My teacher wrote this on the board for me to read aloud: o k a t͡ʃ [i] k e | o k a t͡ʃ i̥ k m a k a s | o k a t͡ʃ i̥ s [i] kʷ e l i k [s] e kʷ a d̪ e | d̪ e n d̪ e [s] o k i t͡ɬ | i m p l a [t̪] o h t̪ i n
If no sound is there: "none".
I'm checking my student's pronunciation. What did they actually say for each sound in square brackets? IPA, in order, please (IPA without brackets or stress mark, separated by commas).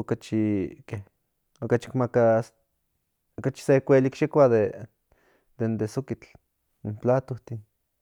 i, e, ʃ, s, t̪